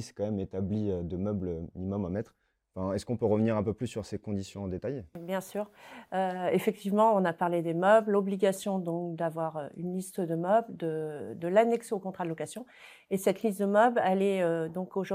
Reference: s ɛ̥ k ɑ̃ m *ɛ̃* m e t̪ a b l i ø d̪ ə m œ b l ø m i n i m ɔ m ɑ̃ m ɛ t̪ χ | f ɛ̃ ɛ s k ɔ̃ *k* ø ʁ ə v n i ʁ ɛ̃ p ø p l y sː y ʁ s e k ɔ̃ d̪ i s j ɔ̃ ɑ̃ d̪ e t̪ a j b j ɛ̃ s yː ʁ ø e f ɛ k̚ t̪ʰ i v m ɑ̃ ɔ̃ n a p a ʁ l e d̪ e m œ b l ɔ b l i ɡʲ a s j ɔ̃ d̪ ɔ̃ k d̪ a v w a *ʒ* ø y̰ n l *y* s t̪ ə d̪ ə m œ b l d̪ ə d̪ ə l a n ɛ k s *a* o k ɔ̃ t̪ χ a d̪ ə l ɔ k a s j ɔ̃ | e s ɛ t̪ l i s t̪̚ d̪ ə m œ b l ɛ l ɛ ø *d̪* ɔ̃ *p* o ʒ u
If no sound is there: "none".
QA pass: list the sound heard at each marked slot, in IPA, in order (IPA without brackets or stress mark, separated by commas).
ɛ, p, ʁ, i, e, d̪, k